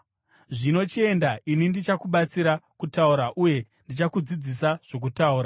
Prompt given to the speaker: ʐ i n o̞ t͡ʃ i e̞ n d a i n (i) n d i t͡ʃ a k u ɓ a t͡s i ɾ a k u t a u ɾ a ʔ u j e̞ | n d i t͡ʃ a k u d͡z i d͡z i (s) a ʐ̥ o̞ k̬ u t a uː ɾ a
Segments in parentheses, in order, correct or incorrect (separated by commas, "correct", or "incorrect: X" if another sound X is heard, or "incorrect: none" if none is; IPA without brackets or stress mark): correct, correct